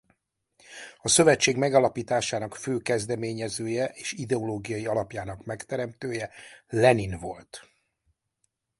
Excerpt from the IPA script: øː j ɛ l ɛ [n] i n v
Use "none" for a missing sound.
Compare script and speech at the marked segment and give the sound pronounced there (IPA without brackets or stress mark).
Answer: n